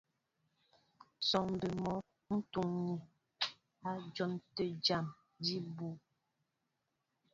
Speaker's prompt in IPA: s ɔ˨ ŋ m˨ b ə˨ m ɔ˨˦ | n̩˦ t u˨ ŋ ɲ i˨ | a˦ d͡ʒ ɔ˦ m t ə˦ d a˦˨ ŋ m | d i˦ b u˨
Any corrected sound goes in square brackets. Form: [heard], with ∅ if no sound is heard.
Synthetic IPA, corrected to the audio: s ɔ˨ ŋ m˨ b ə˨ m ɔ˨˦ | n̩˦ t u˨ ŋ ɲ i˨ | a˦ d͡ʒ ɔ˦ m t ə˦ [d͡ʒ] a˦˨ [∅] m | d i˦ b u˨